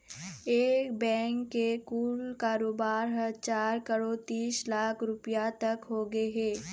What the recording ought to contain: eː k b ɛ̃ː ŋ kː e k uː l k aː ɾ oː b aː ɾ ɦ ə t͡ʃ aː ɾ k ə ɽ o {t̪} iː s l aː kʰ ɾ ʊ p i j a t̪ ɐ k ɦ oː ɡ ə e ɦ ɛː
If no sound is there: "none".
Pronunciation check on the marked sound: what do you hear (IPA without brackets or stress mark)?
t̪